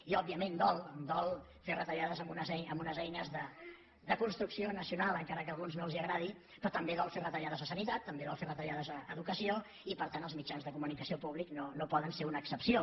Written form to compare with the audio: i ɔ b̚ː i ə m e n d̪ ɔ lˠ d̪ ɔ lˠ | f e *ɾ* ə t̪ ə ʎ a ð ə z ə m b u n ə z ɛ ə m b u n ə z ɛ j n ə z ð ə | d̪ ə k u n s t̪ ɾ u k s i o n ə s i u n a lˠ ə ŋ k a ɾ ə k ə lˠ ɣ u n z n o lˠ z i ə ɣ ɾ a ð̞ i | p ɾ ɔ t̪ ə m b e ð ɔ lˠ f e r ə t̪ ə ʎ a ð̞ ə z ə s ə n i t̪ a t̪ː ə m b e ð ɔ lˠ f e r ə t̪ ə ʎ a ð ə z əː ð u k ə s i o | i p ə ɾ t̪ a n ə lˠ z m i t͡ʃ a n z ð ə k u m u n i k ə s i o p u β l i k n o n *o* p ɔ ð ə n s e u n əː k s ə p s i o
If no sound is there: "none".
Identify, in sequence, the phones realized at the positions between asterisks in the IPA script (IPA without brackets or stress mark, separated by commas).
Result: r, o